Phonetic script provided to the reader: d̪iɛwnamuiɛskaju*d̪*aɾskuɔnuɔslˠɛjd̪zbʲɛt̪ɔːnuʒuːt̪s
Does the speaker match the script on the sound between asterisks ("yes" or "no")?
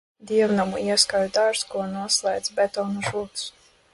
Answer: yes